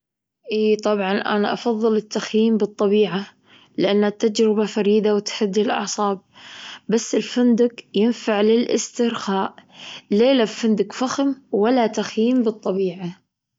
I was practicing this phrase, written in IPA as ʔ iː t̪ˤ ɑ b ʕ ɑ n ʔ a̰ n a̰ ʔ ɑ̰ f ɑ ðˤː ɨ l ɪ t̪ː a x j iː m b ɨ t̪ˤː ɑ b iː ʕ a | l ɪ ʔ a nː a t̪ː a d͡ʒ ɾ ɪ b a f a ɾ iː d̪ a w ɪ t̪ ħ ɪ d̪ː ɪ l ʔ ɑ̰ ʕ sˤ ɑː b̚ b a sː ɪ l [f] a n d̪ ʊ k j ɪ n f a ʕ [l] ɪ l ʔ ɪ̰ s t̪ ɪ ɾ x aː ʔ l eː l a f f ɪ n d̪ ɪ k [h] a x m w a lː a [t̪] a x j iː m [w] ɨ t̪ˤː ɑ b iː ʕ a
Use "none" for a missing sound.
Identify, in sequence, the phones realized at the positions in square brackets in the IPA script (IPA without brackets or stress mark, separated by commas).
f, l, f, t̪, b